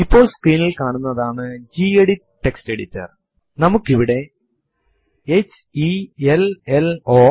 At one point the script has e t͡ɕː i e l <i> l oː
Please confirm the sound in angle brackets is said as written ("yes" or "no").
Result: no